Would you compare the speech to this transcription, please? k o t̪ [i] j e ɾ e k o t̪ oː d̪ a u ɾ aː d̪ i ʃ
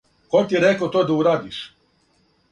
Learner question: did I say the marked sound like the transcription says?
yes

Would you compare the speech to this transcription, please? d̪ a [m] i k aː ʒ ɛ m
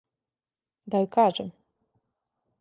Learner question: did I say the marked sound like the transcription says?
no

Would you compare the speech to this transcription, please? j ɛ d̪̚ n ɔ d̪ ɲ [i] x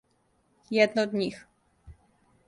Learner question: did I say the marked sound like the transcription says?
yes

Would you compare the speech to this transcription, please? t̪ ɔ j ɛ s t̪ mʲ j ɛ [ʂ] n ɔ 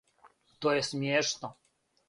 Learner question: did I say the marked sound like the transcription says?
yes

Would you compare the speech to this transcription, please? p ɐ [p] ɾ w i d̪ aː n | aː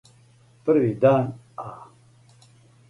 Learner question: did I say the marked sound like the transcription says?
no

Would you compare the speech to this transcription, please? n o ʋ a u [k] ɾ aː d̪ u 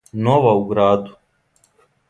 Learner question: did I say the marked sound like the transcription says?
no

